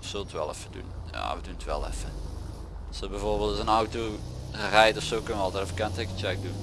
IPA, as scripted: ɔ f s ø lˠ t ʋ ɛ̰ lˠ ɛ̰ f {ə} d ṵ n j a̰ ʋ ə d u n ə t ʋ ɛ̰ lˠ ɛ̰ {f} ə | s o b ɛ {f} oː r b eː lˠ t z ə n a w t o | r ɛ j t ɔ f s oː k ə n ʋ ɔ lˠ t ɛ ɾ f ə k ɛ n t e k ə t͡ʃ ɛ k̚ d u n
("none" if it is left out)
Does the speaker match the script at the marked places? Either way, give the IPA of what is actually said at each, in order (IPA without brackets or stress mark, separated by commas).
ə, f, v